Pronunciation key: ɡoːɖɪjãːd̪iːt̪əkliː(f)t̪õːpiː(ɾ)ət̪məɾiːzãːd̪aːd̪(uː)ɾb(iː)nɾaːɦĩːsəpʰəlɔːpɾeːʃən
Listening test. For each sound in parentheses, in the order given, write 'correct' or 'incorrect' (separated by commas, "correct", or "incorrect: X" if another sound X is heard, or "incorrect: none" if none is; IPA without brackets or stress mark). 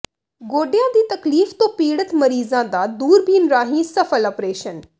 correct, incorrect: ɽ, correct, correct